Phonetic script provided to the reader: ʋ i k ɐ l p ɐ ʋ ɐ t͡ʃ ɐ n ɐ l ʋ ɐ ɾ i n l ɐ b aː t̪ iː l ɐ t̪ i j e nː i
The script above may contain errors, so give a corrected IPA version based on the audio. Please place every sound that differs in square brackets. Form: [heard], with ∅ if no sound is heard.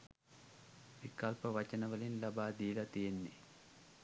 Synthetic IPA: ʋ i k ɐ l p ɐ ʋ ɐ t͡ʃ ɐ n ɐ [∅] ʋ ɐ [l] i n l ɐ b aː [d̪] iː l ɐ t̪ i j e nː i